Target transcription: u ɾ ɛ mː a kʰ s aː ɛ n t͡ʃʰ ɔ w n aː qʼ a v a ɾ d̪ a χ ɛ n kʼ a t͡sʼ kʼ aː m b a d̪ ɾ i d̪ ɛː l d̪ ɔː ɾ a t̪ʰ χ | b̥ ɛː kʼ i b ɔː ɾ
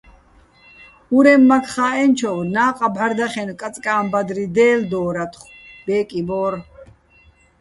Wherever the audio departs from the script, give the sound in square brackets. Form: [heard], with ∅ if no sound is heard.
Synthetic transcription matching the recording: u ɾ ɛ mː a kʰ [χ] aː ɛ n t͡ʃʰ ɔ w n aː qʼ a [b] a ɾ d̪ a χ ɛ n kʼ a t͡sʼ kʼ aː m b a d̪ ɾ i d̪ ɛː l d̪ ɔː ɾ a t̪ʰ χ | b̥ ɛː kʼ i b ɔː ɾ